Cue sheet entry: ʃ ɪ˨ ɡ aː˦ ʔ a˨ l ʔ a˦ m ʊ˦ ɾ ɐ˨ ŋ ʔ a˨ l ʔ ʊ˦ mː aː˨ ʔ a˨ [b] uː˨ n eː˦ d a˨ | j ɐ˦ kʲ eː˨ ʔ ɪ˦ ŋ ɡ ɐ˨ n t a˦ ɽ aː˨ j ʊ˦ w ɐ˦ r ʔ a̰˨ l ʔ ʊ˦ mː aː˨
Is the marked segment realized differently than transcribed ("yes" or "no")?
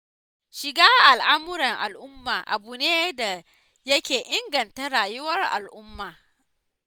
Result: no